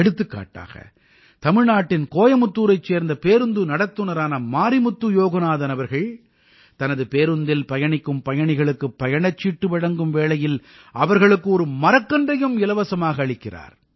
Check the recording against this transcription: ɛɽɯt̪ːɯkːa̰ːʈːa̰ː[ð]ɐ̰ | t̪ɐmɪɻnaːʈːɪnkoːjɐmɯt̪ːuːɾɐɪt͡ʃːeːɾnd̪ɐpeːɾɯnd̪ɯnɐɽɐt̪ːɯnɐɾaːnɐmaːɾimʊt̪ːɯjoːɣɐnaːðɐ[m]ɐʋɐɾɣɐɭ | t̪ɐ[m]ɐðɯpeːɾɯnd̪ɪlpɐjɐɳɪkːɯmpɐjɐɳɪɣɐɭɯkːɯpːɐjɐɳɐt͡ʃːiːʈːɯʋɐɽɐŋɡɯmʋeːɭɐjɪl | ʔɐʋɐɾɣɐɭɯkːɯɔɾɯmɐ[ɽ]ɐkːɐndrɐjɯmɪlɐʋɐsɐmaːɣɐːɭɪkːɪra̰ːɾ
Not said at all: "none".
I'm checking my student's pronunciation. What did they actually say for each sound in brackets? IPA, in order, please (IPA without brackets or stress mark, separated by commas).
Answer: ɣ, n, n, ɾ